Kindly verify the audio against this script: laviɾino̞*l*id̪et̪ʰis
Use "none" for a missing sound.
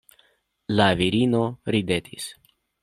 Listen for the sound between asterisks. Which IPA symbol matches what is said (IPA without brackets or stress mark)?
ɾ